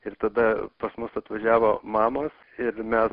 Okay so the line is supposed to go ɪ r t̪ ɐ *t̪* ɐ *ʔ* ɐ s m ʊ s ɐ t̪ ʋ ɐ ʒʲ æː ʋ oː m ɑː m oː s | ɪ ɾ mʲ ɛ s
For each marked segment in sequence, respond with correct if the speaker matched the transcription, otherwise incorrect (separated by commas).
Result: incorrect, incorrect